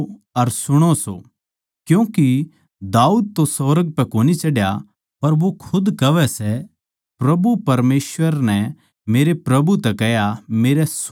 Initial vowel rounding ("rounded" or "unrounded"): unrounded